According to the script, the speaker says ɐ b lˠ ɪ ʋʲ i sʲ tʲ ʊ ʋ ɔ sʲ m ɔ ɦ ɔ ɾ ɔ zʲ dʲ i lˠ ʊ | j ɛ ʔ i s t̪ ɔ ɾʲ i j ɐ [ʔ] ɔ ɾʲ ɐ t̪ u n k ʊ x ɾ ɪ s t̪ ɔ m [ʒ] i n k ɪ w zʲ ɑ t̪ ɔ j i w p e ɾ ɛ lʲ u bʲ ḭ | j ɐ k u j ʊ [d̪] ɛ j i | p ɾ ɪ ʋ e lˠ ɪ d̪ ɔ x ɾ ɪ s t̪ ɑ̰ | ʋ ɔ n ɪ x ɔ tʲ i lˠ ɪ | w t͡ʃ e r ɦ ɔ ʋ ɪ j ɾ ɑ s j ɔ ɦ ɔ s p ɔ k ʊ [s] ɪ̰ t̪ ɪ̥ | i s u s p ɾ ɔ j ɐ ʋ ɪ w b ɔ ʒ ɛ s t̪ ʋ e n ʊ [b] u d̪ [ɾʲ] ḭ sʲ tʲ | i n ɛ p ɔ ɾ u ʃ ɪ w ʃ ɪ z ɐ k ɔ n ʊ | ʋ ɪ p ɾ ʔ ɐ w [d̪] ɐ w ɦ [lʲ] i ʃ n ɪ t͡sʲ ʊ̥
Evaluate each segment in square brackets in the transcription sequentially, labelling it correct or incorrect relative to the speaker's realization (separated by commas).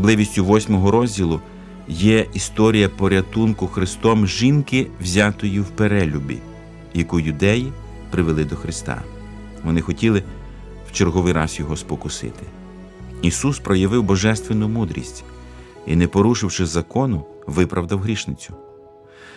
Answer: incorrect, correct, correct, correct, incorrect, correct, correct, incorrect